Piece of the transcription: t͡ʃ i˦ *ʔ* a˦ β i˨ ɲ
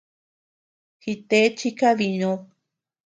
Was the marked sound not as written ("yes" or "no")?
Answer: yes